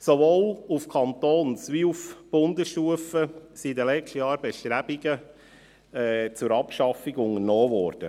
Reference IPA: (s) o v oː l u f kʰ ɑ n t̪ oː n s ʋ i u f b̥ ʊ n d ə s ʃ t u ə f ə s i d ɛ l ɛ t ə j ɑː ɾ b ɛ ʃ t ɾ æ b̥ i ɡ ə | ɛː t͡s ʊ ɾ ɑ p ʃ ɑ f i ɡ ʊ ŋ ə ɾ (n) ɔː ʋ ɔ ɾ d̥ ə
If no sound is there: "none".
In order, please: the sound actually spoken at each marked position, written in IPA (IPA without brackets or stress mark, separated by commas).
s, n